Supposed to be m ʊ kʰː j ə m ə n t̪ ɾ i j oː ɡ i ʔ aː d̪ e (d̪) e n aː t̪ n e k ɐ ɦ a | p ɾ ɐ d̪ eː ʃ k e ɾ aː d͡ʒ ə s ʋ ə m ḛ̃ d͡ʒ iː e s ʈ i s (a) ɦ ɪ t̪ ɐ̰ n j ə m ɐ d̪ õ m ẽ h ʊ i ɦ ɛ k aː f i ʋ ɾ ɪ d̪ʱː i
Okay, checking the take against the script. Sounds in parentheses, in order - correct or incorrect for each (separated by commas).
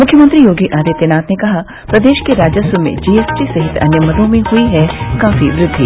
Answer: incorrect, incorrect